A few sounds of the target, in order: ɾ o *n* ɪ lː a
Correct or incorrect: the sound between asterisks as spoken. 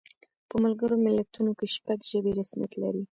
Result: incorrect: m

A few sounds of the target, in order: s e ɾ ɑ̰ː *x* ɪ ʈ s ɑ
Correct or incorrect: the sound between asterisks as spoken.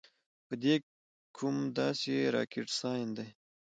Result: incorrect: k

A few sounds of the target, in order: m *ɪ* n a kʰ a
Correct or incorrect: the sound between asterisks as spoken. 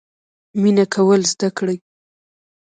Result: incorrect: i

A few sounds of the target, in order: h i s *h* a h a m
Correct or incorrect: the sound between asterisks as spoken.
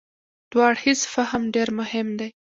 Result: incorrect: f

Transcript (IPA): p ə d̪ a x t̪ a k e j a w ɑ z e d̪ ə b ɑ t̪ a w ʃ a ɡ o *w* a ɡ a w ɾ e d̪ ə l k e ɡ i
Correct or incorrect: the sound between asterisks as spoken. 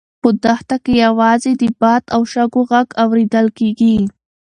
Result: incorrect: ɣ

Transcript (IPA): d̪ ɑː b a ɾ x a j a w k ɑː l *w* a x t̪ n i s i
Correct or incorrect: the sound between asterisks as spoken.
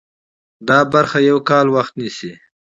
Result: correct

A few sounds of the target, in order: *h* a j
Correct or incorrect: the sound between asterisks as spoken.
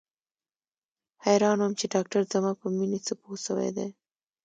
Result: correct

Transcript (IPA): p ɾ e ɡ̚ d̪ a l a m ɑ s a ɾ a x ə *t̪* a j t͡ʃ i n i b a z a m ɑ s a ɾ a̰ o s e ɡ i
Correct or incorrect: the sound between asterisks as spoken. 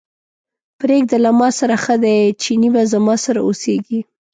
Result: incorrect: d̪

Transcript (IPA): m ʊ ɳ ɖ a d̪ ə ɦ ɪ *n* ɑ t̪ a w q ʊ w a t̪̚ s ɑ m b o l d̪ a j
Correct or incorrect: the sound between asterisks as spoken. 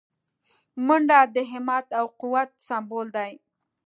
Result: incorrect: m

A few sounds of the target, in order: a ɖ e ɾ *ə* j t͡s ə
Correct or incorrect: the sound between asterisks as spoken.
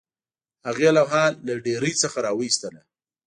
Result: correct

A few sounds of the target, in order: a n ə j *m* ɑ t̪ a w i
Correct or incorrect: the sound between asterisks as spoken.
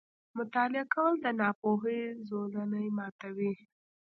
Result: correct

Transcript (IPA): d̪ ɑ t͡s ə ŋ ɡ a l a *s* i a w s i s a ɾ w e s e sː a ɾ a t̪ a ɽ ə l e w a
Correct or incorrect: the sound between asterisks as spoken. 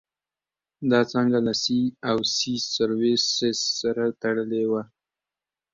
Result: correct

